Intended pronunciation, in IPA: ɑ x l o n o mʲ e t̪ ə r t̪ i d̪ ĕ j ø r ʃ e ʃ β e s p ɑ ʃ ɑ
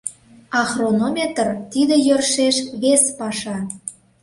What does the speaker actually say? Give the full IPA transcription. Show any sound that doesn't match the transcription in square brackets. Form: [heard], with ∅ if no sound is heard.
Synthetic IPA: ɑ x [r] o n o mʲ e t̪ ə r t̪ i d̪ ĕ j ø r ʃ e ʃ β e s p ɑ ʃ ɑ